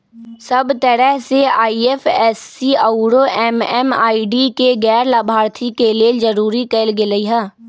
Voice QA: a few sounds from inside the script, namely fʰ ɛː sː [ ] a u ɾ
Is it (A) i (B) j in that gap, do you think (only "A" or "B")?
A